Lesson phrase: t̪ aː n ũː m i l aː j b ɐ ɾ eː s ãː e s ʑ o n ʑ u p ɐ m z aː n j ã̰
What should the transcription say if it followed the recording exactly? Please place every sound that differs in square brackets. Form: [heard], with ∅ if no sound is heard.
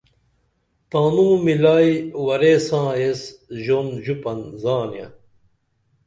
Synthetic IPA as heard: t̪ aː n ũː m i l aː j [w] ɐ ɾ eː s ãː e s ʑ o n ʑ u p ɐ [n] z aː n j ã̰